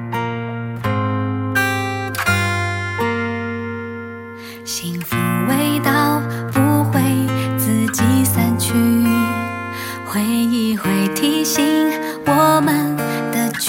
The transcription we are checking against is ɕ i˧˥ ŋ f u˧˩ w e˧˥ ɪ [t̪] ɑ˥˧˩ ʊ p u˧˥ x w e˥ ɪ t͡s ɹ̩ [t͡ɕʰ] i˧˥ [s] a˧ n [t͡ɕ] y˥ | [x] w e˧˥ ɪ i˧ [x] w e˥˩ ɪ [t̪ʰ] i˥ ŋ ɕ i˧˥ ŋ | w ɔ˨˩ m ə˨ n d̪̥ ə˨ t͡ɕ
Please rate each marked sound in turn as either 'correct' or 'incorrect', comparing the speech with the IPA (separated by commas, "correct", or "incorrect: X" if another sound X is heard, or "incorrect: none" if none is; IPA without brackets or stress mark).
correct, incorrect: t͡ɕ, correct, incorrect: t͡ɕʰ, correct, correct, correct